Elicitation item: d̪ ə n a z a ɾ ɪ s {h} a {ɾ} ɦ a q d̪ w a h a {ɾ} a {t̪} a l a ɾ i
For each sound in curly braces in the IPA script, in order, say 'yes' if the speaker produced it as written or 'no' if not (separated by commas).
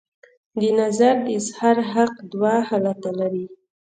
yes, yes, no, yes